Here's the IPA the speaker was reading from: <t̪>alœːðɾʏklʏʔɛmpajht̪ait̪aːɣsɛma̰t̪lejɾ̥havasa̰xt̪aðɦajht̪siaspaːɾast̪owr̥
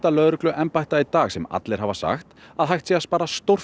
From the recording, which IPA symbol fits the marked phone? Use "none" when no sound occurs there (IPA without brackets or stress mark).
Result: t̪